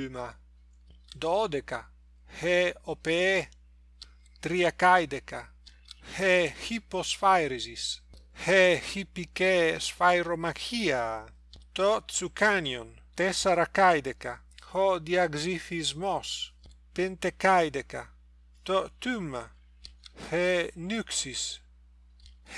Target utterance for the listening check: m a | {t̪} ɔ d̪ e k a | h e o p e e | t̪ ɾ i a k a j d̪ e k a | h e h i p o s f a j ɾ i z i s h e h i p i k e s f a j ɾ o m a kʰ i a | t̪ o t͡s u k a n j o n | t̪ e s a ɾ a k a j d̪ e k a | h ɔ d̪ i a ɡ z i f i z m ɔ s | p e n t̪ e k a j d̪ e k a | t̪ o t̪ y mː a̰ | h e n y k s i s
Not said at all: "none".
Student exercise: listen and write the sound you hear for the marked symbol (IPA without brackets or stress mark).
d̪